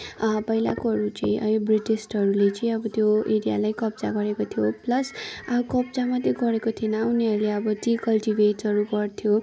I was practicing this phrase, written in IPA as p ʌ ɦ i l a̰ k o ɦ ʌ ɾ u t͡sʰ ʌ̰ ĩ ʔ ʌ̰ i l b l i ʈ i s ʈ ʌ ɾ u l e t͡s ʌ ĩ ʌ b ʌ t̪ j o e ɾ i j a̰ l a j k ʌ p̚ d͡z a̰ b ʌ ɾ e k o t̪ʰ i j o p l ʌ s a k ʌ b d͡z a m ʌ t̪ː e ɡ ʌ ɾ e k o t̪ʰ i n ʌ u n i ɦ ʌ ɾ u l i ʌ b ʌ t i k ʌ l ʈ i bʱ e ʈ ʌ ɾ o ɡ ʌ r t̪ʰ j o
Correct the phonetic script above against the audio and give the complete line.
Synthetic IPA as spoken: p ʌ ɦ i l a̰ k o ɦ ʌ ɾ u t͡s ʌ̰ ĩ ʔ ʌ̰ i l b r i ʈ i s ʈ ʌ ɾ u l e t͡s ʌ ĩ ʌ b ʌ t̪ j o e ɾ i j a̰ l a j k ʌ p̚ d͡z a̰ ɡ ʌ ɾ e k o t̪ʰ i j o p l ʌ s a k ʌ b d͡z a m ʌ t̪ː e ɡ ʌ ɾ e k o t̪ʰ i n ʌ u n i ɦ ʌ ɾ u l e ʌ b ʌ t i k ʌ l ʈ i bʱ e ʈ ʌ ɾ u ɡ ʌ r t̪ʰ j o